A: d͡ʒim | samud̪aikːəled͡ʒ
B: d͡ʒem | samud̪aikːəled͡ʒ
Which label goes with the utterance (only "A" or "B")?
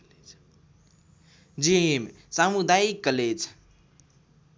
A